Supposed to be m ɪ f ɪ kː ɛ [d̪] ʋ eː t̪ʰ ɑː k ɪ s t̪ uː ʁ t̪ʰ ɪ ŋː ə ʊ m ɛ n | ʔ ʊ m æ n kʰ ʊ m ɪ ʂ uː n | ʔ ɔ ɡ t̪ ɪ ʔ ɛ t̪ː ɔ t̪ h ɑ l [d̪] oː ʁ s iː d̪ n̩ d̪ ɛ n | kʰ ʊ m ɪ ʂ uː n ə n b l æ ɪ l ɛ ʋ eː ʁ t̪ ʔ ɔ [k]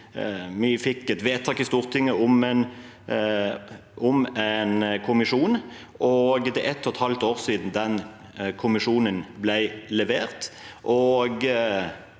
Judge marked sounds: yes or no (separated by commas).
no, no, no